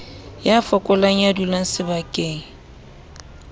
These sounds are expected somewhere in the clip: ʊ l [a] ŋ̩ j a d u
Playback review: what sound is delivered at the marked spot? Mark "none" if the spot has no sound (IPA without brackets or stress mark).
a